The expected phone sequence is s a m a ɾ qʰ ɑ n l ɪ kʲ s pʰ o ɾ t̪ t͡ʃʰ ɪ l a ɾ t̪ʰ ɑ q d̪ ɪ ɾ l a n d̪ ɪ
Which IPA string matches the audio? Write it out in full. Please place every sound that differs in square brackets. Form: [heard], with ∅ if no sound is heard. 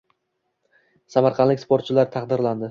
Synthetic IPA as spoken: s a m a ɾ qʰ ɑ n l ɪ kʲ s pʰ o ɾ t̪ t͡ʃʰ ɪ l a ɾ t̪ʰ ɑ q d̪ ɪ ɾ l a n d̪ ɪ